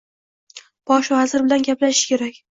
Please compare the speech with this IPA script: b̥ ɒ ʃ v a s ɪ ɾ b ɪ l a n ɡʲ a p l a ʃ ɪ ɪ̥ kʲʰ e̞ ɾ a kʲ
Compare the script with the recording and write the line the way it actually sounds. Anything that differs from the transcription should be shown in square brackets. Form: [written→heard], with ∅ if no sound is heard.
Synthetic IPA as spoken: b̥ ɒ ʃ v a [s→z] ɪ ɾ b ɪ l a n ɡʲ a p l a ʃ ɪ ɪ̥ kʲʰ e̞ ɾ a kʲ